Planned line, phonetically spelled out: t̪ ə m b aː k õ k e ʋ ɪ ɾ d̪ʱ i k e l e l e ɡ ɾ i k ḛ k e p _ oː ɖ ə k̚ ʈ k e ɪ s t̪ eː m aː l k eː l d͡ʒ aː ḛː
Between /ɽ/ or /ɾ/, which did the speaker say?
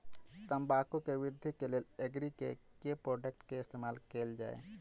ɾ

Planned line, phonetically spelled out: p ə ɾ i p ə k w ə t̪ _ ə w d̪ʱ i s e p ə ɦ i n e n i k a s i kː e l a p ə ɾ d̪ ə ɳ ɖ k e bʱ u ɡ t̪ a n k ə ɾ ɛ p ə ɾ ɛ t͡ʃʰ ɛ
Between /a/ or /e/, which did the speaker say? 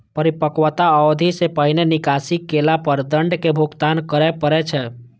a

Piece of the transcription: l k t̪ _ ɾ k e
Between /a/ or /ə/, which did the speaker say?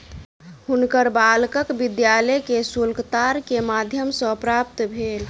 a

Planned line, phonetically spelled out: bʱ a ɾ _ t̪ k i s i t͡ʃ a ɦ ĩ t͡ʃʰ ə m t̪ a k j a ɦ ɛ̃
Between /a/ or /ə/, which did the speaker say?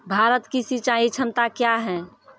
ə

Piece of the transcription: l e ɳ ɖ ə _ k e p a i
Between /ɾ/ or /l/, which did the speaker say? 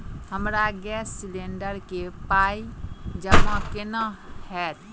ɾ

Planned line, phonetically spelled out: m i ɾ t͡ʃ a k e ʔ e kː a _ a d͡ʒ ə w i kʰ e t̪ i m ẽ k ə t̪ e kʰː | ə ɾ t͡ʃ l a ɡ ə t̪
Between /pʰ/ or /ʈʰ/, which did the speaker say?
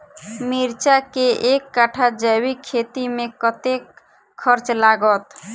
ʈʰ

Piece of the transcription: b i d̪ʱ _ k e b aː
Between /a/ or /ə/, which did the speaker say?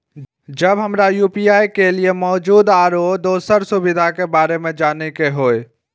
a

